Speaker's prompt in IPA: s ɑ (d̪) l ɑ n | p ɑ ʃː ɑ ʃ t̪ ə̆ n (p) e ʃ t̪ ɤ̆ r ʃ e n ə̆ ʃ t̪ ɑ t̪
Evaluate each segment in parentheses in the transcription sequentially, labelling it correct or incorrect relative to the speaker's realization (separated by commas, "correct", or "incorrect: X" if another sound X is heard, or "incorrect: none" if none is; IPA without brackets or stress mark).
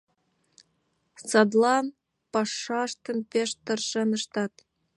correct, correct